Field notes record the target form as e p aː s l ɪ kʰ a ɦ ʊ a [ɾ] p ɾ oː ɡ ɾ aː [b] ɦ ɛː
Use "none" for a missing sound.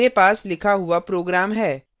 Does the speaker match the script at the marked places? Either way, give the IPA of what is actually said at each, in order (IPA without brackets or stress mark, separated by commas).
none, m